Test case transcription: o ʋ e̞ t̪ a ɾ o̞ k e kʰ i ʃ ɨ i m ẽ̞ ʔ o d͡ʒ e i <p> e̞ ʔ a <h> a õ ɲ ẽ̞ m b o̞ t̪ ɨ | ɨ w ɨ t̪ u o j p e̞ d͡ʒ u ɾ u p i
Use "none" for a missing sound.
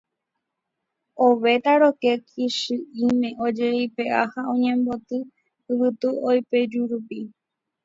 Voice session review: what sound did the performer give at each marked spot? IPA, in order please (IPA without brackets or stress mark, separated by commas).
p, h